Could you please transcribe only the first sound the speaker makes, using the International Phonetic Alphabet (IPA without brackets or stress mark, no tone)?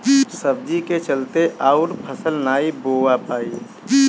s